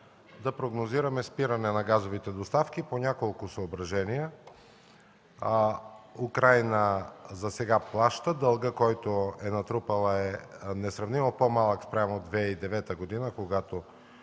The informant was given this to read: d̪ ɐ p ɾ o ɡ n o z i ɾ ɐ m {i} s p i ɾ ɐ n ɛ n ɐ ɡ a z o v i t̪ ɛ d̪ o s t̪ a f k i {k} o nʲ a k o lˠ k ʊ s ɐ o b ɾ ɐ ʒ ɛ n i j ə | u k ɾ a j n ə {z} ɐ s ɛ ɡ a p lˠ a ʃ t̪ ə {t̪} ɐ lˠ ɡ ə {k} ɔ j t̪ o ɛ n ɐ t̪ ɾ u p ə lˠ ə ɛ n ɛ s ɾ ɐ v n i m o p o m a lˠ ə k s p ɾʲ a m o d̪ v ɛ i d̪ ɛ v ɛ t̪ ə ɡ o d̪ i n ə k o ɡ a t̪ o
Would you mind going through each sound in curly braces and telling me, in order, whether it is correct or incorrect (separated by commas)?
incorrect, incorrect, correct, incorrect, correct